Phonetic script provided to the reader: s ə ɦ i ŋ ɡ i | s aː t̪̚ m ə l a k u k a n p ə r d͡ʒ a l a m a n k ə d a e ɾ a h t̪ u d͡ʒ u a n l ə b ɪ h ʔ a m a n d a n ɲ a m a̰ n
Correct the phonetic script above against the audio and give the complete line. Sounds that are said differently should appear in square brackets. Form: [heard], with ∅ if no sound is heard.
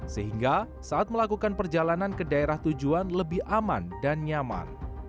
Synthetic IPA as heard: s ə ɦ i ŋ ɡ [a] | s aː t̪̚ m ə l a k u k a n p ə r d͡ʒ a l a [n] a n k ə d a e ɾ a h t̪ u d͡ʒ u a n l ə b ɪ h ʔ a m a n d a n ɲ a m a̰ n

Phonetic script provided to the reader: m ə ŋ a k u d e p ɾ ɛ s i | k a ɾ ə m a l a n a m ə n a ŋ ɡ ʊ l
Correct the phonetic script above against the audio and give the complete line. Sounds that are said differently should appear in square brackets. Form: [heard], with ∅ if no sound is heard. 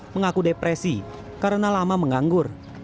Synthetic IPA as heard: m ə ŋ a k u d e p ɾ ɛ s i | k a ɾ ə [n] a l a [m] a m ə [ŋ] a ŋ ɡ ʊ [r]

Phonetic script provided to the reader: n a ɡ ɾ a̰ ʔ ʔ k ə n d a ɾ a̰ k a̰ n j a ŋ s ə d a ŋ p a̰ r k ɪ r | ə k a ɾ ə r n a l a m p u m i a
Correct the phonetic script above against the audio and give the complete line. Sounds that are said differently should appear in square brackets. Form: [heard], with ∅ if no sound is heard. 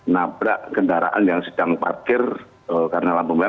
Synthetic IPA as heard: n a [b] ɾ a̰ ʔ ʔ k ə n d a ɾ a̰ [ʔ] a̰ n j a ŋ s ə d a ŋ p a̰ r k ɪ r | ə k a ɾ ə [∅] n a l a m [b] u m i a

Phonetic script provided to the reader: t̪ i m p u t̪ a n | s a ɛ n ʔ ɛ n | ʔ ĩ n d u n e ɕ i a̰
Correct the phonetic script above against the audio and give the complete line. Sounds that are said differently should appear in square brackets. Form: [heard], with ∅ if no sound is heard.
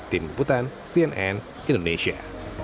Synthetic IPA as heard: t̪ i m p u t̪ a n | s [i] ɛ n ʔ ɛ n | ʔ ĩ n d [o] n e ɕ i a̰

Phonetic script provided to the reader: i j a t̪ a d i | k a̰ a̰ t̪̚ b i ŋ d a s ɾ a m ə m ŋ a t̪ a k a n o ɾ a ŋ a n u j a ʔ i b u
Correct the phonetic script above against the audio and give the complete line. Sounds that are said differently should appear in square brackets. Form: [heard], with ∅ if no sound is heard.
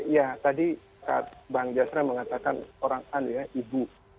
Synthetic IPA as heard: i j a t̪ a d i | k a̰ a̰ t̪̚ b [a] ŋ [d͡ʒ] a s ɾ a m ə [∅] ŋ a t̪ a k a n o ɾ a ŋ a n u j a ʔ i b u

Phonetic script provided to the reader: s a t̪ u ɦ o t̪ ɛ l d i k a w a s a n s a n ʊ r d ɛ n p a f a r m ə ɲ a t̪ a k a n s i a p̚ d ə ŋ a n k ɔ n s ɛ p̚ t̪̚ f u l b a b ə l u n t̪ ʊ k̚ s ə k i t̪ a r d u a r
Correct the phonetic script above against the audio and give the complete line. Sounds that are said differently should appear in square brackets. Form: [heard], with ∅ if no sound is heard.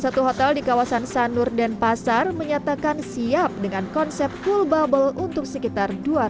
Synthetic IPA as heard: s a t̪ u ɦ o t̪ ɛ l d i k a w a s a n s a n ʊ r d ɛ n p a [s] a r m ə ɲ a t̪ a k a n s i a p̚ d ə ŋ a n k ɔ n s ɛ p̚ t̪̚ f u l b a b ə l u n t̪ ʊ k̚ s ə k i t̪ a r d u a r

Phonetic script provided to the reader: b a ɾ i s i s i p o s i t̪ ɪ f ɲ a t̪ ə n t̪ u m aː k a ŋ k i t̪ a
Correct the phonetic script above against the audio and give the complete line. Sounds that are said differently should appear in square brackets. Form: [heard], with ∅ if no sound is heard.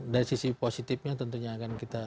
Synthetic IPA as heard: [d] a ɾ i s i s i p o s i t̪ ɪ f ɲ a t̪ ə n t̪ u [ɲ] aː k a [n] k i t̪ a

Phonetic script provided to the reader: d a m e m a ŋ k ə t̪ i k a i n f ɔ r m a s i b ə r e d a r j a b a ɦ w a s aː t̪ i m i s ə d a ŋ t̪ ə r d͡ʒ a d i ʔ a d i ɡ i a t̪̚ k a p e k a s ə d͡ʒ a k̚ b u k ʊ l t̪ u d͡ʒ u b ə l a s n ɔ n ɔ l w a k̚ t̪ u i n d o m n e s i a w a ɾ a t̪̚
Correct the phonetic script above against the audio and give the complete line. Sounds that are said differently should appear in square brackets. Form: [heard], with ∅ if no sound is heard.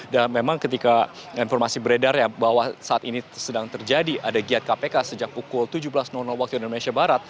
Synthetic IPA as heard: d a m e m a ŋ k ə t̪ i k a i n f ɔ r m a s i b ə [ɾ] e d a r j a b a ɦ w a s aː t̪ i [n] i s ə d a ŋ t̪ ə r d͡ʒ a d i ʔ a d [a] ɡ i a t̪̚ k a p e k a s ə d͡ʒ a k̚ [p] u k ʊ l t̪ u d͡ʒ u b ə l a s n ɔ n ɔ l w a k̚ t̪ u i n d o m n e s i a [b] a ɾ a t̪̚

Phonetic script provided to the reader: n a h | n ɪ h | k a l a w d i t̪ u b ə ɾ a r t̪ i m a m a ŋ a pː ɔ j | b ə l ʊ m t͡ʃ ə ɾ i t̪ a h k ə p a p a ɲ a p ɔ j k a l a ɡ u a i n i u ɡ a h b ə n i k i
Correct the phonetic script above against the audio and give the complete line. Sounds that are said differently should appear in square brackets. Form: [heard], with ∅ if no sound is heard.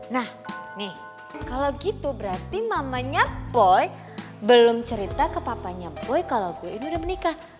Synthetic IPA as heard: n a h | n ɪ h | k a l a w [ɡ] i t̪ u b ə ɾ a r t̪ i m a m a [ɲ] a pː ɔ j | b ə l ʊ m t͡ʃ ə ɾ i t̪ a [∅] k ə p a p a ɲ a p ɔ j k a l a ɡ u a i n i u [d] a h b ə n i k [a]

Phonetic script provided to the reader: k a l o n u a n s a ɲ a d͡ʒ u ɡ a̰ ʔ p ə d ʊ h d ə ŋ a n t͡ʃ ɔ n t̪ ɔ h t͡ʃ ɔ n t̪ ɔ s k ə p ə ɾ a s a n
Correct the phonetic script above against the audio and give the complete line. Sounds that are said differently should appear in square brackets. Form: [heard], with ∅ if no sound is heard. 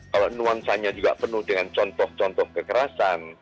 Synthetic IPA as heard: k a l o n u a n s a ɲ a d͡ʒ u ɡ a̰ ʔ p ə [n] ʊ h d ə ŋ a n t͡ʃ ɔ n t̪ ɔ h t͡ʃ ɔ n t̪ ɔ [h] k ə [k] ə ɾ a s a n

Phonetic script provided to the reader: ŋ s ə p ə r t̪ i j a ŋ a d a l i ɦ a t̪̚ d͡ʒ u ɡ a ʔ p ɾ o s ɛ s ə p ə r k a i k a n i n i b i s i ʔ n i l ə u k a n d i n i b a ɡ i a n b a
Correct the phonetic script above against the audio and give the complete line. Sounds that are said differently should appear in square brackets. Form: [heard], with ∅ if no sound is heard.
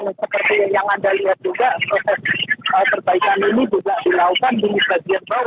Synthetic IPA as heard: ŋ s ə p ə r t̪ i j a ŋ a d a l i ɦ a t̪̚ d͡ʒ u ɡ a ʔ p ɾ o s ɛ s ə p ə r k a i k a n i n i b i s [a] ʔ [d] i l [a] u k a n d i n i b a ɡ i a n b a

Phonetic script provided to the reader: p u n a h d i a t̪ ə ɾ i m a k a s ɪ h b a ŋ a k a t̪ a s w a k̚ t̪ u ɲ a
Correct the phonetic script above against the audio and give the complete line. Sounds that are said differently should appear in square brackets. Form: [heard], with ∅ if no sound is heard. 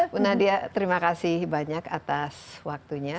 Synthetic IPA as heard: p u n a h d i a t̪ ə ɾ i m a k a s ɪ h b a [ɲ] a k a t̪ a s w a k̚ t̪ u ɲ a

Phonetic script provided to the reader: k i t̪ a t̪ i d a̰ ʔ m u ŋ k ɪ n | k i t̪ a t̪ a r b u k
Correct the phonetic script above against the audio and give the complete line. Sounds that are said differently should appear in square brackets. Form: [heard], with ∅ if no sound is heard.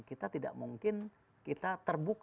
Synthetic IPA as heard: k i t̪ a t̪ i d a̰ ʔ m u ŋ k ɪ n | k i t̪ a t̪ [ə] r b u k

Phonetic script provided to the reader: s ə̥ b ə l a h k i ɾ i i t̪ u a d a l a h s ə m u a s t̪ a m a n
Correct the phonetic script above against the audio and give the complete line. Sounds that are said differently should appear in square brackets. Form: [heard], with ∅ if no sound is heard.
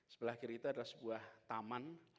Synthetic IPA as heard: s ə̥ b ə l a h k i ɾ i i t̪ u a d a l a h s ə [b] u a [h] t̪ a m a n

